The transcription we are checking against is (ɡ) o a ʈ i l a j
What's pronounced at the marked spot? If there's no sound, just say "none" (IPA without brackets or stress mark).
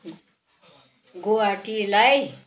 ɡ